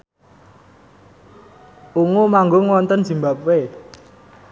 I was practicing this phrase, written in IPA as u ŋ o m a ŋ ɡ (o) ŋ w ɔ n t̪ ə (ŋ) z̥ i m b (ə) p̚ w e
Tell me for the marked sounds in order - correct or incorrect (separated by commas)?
correct, incorrect, incorrect